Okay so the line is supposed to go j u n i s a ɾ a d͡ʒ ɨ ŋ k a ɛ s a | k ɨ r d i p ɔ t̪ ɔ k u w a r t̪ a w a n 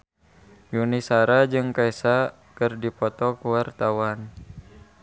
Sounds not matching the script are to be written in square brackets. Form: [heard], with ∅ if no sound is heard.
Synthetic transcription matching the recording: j u n i s a ɾ a d͡ʒ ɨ ŋ k a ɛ s a | k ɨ r d i p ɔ t̪ ɔ k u w a r t̪ a w a n